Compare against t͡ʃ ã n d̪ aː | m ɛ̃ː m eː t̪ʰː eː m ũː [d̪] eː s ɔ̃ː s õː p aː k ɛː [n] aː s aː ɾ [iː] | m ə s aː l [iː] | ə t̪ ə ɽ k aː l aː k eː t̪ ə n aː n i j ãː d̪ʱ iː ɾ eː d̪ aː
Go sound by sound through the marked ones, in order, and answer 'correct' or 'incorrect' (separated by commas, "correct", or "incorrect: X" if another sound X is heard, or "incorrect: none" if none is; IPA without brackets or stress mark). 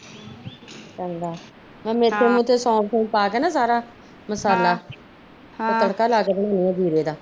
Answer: incorrect: t̪, correct, incorrect: aː, incorrect: aː